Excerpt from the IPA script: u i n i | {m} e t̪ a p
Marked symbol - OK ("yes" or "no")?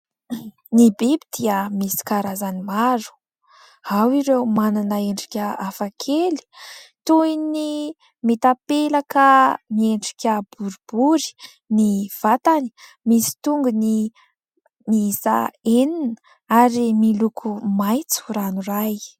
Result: yes